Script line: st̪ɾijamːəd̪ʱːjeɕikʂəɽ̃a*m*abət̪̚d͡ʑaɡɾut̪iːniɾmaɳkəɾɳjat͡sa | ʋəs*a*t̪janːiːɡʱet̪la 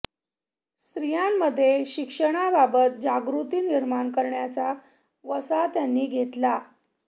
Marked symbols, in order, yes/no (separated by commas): no, yes